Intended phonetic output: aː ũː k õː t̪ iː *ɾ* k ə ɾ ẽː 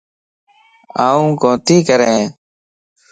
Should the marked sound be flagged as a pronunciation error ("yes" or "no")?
yes